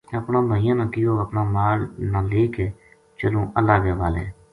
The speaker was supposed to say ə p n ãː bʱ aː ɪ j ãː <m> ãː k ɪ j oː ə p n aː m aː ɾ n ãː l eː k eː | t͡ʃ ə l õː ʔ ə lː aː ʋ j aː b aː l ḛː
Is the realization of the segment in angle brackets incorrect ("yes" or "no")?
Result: yes